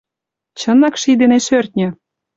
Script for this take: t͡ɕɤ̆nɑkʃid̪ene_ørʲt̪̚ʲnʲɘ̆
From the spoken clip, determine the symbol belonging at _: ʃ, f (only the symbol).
ʃ